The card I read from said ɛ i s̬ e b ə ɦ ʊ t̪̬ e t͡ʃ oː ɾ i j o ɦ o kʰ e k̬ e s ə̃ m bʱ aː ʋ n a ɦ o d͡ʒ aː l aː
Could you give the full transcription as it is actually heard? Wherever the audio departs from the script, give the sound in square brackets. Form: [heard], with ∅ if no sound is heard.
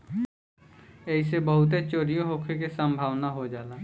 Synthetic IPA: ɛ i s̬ e b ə ɦ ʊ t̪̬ e t͡ʃ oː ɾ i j o ɦ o kʰ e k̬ e s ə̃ m bʱ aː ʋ n a ɦ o d͡ʒ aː l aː